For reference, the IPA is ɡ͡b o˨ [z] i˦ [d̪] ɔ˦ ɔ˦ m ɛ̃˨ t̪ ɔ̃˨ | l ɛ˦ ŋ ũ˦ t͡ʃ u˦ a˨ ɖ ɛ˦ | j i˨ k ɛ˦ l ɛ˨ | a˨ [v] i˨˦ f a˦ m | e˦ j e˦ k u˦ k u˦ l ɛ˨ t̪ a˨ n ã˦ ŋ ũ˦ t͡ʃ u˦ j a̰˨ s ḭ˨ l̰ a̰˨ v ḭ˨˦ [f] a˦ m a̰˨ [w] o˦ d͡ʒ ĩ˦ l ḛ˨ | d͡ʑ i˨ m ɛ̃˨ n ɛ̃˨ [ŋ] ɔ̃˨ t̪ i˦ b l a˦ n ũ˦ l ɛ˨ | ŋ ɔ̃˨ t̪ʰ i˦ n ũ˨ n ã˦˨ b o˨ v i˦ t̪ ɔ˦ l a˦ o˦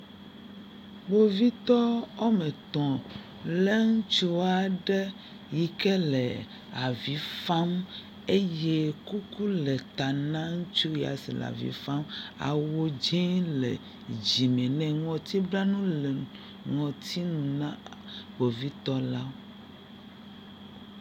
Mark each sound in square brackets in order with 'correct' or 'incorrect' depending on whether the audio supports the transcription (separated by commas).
incorrect, incorrect, correct, correct, correct, correct